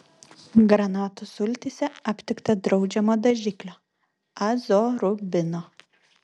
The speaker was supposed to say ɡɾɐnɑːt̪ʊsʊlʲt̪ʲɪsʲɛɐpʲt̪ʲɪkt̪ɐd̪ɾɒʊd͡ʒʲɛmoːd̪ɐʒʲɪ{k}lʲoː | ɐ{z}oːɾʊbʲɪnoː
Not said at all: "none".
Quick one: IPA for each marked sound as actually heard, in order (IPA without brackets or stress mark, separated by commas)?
k, z